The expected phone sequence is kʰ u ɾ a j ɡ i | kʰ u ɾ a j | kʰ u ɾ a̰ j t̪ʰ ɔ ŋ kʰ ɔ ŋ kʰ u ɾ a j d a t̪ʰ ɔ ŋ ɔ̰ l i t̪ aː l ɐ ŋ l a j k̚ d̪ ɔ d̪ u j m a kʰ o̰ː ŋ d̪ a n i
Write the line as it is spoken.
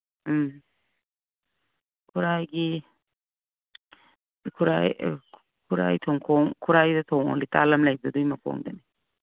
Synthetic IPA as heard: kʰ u ɾ a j ɡ i | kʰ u ɾ a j | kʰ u ɾ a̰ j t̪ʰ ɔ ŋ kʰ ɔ ŋ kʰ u ɾ a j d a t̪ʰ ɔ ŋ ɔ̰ l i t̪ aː l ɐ m l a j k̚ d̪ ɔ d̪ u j m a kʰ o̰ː ŋ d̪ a n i